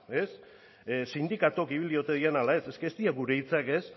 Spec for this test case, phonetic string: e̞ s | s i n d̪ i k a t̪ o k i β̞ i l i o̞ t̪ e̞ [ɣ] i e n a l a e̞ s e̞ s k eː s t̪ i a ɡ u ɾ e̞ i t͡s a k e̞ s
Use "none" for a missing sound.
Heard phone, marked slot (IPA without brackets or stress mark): ð